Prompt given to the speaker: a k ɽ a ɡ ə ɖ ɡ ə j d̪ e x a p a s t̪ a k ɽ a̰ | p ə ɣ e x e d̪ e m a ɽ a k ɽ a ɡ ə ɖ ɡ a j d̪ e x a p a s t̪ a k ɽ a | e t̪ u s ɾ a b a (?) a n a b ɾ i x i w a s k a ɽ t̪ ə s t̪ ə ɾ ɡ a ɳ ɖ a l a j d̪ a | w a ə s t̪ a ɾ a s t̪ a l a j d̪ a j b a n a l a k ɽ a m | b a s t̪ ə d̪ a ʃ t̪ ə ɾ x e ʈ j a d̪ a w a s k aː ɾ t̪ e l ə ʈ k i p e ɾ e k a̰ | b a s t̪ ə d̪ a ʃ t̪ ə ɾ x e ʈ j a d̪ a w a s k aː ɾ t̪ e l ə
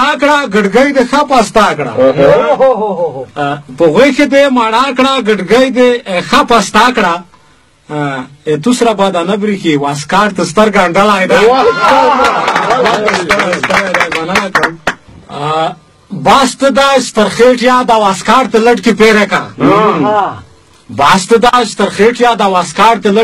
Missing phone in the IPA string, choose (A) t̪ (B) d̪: B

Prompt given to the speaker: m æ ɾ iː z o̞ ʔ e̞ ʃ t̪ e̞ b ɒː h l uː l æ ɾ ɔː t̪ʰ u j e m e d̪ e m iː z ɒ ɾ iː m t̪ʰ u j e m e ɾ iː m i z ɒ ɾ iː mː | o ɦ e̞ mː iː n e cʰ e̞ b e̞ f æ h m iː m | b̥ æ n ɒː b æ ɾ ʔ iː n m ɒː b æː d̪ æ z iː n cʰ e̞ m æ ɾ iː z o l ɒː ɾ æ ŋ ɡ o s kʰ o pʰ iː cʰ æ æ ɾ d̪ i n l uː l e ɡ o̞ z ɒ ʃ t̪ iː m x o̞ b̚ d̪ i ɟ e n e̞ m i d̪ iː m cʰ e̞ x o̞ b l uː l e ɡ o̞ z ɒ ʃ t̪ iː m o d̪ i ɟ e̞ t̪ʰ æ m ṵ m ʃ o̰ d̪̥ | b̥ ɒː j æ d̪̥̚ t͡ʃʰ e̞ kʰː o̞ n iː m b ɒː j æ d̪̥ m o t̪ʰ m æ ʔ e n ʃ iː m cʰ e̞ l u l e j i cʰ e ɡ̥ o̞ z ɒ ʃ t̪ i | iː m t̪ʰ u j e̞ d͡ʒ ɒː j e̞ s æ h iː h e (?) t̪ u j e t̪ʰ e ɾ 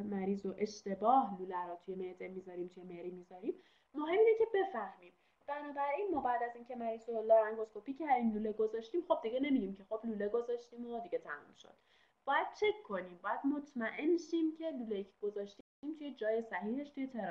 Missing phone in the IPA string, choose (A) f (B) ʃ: B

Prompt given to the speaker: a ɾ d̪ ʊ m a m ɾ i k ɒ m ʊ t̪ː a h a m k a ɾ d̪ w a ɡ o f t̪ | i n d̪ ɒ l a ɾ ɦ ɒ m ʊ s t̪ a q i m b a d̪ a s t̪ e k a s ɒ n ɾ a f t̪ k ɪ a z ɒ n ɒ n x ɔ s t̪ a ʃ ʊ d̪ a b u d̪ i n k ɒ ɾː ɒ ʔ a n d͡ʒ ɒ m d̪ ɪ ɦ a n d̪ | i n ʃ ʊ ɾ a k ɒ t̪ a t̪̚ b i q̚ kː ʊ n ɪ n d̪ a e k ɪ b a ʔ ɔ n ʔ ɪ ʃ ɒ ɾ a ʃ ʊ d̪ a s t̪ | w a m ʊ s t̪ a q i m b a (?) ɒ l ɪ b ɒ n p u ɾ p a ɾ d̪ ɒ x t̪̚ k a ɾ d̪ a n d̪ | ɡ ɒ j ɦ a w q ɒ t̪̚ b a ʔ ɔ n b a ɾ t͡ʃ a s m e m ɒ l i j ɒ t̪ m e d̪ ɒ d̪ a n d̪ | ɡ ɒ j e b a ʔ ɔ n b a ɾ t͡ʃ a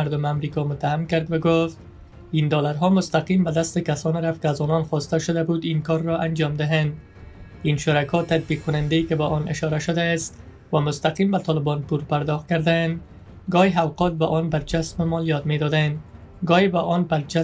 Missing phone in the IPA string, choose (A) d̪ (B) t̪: B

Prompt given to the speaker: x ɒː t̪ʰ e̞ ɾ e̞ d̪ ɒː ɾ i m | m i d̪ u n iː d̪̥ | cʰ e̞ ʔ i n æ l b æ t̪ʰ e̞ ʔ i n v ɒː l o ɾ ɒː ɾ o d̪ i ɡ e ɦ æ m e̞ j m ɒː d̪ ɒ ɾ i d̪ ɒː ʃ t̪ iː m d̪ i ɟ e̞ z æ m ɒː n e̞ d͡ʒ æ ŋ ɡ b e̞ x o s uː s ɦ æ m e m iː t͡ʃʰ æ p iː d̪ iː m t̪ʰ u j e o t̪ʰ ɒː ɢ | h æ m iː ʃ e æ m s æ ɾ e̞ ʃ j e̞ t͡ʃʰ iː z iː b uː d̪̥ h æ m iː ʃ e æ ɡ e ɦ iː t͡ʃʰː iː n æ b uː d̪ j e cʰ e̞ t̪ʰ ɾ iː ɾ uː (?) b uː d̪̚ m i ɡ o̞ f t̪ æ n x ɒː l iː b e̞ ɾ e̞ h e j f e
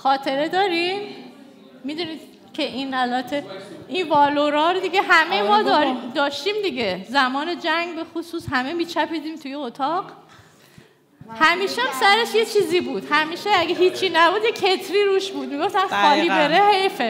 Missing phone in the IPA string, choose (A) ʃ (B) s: A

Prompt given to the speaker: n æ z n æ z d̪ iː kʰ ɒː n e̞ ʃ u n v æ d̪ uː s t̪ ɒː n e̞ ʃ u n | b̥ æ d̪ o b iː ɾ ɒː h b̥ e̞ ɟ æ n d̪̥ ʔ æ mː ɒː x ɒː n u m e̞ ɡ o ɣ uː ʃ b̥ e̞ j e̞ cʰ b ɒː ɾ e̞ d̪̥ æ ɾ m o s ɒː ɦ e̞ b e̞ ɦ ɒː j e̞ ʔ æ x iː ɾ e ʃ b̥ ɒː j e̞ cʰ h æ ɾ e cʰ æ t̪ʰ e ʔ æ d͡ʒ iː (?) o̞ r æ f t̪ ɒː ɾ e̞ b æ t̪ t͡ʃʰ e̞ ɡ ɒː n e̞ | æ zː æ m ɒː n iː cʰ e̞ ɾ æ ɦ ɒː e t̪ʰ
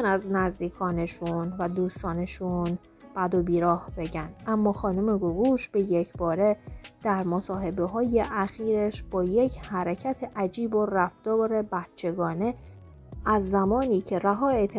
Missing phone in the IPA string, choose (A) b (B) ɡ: A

